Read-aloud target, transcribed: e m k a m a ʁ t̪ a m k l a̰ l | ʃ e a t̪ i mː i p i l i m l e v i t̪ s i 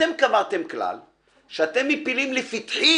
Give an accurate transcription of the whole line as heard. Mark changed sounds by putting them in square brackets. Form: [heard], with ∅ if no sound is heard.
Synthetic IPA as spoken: e m k a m a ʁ t̪ [e] m k l a̰ l | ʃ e a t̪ [e] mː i p i l i m l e [f] i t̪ [ħ] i